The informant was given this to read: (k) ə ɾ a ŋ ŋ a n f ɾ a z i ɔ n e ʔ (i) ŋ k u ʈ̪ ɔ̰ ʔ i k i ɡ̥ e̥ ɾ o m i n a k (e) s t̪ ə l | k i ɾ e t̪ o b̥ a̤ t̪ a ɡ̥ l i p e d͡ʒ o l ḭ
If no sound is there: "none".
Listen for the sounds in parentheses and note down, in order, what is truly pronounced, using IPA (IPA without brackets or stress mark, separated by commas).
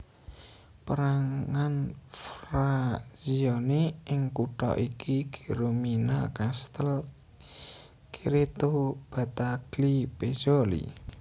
p, ɪ, a